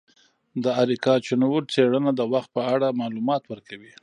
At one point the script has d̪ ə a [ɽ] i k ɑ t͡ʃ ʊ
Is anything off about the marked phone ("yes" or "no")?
yes